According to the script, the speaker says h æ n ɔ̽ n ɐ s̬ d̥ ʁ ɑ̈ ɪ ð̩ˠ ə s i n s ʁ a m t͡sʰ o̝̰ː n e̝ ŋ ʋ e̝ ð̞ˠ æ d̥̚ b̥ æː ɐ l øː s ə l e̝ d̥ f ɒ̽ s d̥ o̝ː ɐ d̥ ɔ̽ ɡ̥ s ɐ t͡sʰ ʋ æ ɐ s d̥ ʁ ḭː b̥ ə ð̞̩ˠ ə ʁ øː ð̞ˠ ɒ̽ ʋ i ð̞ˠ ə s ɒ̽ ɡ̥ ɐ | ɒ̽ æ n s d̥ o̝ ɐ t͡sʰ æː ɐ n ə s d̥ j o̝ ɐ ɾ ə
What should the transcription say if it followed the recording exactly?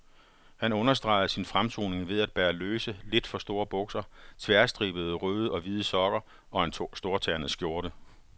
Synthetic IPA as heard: h æ n ɔ̽ n ɐ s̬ d̥ ʁ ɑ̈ ɪ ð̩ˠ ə s i n f ʁ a m t͡sʰ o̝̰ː n e̝ ŋ ʋ e̝ ð̞ˠ æ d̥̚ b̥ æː ɐ l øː s ə l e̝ d̥ f ɒ̽ s d̥ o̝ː ɐ b̥ ɔ̽ ɡ̥ s ɐ t͡sʰ ʋ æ ɐ s d̥ ʁ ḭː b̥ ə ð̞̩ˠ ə ʁ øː ð̞ˠ ɒ̽ ʋ i ð̞ˠ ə s ɒ̽ ɡ̥ ɐ | ɒ̽ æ n s d̥ o̝ ɐ t͡sʰ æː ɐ n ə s ɡ̥ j o̝ ɐ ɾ ə